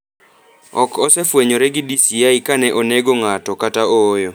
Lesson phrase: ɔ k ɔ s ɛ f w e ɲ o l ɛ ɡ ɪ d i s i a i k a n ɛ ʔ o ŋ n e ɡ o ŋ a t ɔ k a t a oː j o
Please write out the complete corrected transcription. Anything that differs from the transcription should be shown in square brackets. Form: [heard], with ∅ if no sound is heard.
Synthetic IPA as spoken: ɔ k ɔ s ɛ f w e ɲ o [ɾ] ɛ ɡ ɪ d i s i a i k a n ɛ ʔ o [∅] n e ɡ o ŋ a t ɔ k a t a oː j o